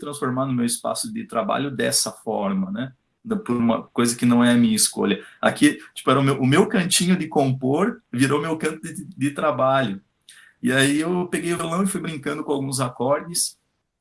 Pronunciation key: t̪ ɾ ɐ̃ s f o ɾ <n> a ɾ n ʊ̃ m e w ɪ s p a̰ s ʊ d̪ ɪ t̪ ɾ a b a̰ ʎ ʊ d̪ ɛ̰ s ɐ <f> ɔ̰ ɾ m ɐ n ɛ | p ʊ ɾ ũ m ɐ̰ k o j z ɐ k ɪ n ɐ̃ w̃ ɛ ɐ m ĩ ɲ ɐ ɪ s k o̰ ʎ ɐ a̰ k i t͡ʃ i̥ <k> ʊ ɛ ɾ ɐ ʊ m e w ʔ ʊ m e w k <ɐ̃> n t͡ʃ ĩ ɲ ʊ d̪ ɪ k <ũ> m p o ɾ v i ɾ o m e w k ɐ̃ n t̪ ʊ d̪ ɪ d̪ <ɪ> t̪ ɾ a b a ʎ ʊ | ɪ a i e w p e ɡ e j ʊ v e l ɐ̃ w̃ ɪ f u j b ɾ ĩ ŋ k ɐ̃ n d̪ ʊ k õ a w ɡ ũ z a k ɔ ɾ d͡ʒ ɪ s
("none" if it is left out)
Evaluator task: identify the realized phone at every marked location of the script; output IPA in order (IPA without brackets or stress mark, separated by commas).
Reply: m, f, p, ɐ̃, õ, ɪ